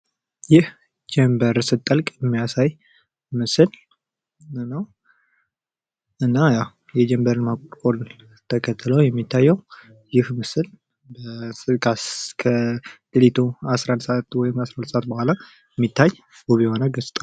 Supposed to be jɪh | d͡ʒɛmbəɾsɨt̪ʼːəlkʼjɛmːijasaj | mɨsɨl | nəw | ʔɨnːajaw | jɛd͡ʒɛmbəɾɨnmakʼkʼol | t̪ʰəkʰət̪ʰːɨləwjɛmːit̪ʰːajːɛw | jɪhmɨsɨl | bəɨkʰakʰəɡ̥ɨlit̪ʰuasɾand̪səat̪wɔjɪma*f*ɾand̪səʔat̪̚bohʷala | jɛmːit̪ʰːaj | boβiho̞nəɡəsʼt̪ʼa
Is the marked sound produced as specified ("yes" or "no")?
no